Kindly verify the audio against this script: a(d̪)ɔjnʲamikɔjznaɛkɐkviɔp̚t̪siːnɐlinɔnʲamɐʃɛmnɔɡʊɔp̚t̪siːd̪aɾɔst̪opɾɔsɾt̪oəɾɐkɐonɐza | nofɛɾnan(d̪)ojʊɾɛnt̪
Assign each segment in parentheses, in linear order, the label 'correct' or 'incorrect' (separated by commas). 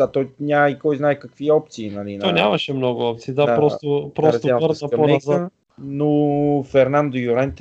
incorrect, correct